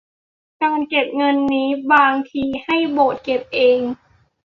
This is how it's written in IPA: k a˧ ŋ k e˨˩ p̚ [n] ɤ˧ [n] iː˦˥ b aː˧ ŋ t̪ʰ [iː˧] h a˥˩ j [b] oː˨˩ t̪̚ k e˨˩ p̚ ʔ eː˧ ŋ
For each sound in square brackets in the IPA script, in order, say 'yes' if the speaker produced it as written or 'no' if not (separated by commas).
no, no, yes, yes